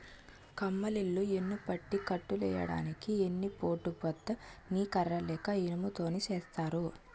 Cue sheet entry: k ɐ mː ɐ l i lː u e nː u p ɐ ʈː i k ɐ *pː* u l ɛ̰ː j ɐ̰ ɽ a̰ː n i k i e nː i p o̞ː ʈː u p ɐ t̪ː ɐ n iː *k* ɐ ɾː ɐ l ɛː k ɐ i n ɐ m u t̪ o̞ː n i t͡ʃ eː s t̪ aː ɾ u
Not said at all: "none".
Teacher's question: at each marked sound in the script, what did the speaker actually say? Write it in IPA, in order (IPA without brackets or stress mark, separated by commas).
ʈː, k